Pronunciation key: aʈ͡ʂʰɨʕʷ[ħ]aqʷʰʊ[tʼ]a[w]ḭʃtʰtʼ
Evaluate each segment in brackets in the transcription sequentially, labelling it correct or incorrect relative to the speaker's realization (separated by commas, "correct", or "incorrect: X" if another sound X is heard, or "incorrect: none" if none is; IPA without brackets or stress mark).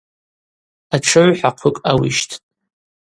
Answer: correct, incorrect: kʼ, correct